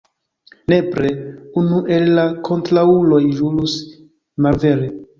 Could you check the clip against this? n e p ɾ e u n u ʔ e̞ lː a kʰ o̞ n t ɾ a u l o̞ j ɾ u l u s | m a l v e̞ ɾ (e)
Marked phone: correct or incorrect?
correct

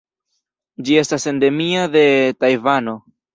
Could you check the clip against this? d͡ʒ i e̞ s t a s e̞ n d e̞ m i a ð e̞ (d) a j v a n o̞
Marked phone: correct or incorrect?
incorrect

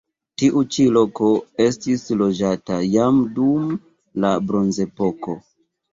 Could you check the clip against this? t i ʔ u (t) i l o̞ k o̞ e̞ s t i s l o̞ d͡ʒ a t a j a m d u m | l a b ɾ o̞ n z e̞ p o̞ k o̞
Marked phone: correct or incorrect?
incorrect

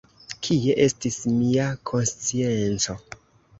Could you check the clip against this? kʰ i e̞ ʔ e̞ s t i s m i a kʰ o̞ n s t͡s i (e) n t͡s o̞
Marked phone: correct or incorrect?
correct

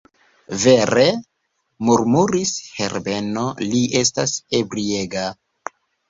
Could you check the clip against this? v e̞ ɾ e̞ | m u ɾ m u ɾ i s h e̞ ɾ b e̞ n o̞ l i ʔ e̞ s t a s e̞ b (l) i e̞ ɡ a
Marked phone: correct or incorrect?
incorrect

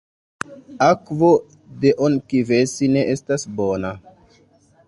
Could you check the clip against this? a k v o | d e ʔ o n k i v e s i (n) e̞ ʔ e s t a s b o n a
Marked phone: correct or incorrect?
correct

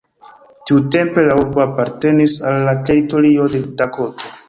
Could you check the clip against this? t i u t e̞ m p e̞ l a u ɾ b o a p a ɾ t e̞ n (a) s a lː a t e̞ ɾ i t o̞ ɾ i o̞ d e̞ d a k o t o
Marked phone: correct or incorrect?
incorrect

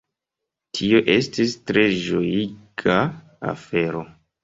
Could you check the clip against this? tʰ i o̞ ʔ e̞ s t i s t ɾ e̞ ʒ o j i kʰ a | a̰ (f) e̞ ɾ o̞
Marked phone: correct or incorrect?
correct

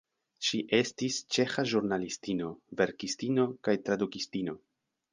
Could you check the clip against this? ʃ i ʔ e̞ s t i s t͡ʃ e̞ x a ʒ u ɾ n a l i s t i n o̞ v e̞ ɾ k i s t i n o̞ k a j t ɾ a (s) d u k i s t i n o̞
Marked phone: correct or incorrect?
incorrect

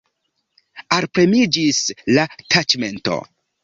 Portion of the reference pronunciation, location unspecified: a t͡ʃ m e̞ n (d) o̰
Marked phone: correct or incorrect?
incorrect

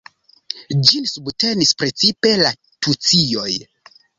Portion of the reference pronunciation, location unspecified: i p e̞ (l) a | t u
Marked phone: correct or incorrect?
correct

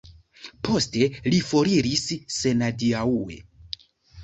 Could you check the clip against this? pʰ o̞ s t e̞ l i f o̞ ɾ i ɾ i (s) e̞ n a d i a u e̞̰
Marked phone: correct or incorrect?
incorrect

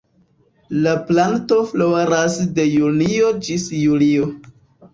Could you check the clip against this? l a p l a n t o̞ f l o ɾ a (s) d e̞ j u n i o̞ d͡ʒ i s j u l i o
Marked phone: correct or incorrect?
correct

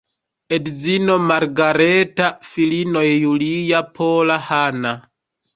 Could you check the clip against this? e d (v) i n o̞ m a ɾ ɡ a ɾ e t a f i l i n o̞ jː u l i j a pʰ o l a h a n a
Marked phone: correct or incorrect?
incorrect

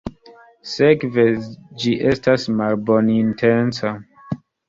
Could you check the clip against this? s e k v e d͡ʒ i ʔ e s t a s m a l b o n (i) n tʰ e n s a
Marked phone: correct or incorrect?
correct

